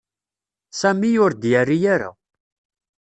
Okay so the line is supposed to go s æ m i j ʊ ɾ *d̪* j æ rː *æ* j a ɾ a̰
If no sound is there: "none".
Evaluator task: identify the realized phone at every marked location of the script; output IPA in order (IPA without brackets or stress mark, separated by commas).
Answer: d̪, i